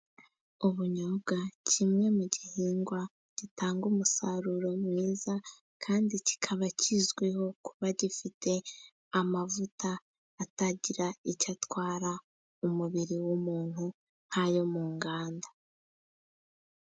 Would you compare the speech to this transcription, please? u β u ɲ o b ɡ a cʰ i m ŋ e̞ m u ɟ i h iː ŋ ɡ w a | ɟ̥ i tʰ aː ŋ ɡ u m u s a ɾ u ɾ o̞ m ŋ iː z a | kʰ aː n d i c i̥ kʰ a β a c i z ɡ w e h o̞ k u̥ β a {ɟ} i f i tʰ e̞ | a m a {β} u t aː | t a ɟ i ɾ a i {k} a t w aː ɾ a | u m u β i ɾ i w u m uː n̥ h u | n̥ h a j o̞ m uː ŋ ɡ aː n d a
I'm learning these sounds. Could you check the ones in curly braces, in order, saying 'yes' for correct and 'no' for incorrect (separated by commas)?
yes, no, no